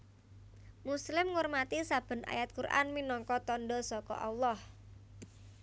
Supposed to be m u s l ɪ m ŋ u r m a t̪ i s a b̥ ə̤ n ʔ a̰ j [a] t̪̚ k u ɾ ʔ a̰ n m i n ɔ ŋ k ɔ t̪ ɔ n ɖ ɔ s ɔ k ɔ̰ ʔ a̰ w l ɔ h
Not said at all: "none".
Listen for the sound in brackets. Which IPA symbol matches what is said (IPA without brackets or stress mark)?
a